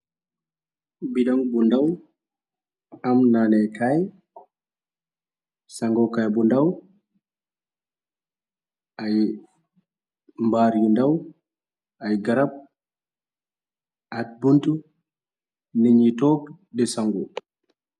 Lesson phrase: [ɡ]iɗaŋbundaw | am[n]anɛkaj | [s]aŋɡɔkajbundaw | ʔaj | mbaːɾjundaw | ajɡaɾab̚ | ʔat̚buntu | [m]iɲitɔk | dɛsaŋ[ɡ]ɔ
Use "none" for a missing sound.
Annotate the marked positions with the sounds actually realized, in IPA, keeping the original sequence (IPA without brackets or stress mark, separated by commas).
b, n, s, n, ɡ